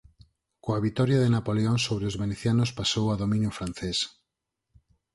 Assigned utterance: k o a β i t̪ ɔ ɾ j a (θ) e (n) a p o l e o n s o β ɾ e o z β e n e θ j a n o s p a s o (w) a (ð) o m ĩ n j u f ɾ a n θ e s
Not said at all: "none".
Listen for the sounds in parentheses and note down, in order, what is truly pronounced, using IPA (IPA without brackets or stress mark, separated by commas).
ð, n, w, ð